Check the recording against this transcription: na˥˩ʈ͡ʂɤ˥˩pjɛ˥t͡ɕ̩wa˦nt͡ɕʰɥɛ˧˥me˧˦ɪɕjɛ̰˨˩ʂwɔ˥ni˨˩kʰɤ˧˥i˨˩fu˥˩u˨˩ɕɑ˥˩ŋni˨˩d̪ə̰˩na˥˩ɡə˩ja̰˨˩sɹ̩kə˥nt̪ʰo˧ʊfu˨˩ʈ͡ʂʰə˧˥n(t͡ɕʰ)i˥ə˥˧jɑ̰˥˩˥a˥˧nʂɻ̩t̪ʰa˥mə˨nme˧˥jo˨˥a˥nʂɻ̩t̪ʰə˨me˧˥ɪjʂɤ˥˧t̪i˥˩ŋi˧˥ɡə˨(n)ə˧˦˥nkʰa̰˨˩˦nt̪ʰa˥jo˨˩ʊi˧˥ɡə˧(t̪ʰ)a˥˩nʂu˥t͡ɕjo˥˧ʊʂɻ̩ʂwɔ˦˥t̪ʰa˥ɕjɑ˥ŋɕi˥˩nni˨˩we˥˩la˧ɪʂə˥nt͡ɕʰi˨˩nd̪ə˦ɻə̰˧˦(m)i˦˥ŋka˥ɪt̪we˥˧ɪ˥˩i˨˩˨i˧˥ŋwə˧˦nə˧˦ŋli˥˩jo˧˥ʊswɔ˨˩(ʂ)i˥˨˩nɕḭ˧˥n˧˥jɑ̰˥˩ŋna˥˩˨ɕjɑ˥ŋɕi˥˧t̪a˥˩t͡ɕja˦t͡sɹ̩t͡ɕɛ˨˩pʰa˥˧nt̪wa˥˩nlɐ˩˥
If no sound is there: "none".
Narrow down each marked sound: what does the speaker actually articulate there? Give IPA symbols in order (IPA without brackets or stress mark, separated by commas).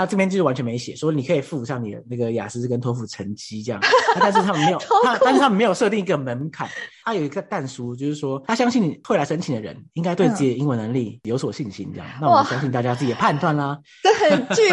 t͡ɕ, m, t̪, n, ɕ